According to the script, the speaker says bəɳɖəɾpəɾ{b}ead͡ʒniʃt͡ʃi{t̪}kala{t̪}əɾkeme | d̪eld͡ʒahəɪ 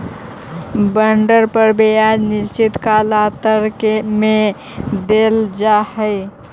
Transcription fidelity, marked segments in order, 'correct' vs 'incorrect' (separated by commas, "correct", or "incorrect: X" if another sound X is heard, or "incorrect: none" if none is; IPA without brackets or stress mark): correct, correct, correct